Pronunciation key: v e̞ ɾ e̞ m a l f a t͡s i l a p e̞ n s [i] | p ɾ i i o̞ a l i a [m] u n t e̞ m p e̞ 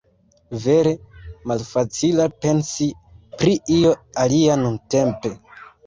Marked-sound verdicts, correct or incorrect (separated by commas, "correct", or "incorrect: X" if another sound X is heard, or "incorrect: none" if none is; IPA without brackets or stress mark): correct, incorrect: n